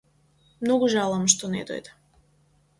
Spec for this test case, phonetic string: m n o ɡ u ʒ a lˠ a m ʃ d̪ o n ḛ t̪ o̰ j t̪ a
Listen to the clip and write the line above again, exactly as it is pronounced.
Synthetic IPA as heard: m n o ɡ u ʒ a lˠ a m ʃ t̪ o n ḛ d̪ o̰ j d̪ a